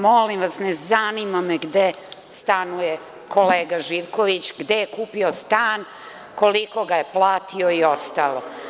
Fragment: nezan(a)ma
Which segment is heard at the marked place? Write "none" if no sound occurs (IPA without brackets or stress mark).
i